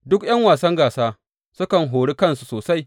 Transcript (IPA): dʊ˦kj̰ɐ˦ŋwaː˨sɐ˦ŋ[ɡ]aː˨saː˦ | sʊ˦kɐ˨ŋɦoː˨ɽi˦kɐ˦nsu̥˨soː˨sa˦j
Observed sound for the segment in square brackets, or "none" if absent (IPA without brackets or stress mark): ɡ